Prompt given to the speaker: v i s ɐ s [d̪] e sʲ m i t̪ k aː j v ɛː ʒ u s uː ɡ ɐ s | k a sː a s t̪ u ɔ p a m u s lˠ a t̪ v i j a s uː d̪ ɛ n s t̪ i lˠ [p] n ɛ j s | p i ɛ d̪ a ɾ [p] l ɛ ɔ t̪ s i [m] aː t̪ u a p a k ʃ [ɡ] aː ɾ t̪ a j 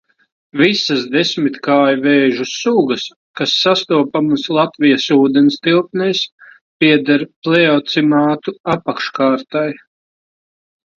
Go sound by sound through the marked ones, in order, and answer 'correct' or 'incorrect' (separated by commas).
correct, correct, correct, correct, incorrect